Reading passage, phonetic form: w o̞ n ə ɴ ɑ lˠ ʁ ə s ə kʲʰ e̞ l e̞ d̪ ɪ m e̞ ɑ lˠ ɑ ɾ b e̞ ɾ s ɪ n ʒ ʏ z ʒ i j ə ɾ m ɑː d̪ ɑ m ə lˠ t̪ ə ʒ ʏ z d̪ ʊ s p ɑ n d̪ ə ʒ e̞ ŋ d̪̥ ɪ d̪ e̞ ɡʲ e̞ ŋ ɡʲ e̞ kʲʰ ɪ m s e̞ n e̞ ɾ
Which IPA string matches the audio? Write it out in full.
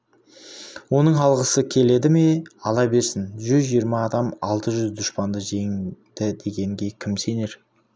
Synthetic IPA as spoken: w o̞ n ə ɴ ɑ lˠ ʁ ə s ə kʲʰ e̞ l e̞ d̪ ɪ m e̞ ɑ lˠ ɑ b e̞ ɾ s ɪ n ʒ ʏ z ʒ i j ə ɾ m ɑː d̪ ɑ m ɑ lˠ t̪ ə ʒ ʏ z d̪ ʊ ʃ p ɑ n d̪ ə ʒ e̞ ŋ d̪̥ ɪ d̪ e̞ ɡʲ e̞ ŋ ɡʲ e̞ kʲʰ ɪ m s e̞ n e̞ ɾ